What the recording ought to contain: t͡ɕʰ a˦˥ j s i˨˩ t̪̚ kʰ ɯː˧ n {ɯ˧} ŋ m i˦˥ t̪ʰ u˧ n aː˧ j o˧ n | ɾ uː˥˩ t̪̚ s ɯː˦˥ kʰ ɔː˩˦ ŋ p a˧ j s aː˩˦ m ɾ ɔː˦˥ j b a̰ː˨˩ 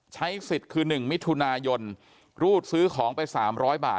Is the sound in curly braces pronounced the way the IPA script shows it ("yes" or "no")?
no